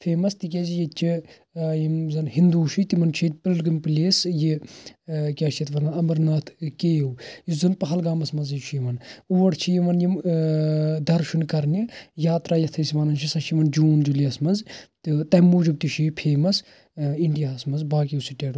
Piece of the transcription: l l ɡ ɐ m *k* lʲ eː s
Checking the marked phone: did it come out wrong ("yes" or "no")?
yes